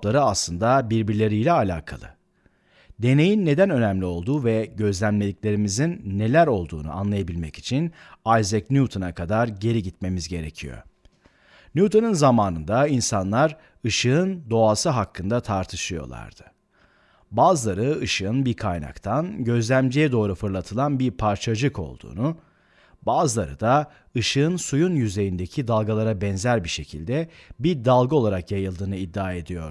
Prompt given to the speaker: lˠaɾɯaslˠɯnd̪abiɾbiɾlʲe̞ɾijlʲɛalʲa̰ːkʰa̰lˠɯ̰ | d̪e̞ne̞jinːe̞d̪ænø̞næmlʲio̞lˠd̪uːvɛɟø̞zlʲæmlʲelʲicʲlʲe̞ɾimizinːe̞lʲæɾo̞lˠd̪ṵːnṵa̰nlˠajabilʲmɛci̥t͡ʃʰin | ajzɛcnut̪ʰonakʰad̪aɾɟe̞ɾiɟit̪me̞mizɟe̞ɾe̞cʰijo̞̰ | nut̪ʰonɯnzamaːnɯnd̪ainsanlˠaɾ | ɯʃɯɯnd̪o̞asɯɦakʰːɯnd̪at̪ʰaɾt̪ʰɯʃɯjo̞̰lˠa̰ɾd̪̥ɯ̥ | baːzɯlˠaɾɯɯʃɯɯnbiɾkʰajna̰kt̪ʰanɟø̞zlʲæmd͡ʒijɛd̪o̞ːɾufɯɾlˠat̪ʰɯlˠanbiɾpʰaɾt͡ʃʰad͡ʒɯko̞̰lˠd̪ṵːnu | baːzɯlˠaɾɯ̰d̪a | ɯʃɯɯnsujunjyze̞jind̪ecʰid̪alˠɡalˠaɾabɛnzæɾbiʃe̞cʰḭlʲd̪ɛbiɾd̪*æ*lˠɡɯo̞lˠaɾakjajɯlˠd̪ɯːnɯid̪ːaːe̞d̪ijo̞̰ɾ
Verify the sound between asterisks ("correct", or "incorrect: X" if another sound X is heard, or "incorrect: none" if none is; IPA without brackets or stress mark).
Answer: incorrect: a